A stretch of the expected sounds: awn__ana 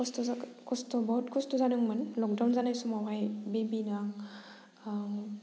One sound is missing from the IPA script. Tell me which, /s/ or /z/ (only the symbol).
z